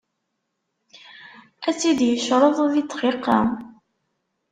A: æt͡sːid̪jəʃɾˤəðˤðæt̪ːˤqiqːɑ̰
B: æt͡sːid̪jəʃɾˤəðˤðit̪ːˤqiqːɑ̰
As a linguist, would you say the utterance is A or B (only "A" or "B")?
B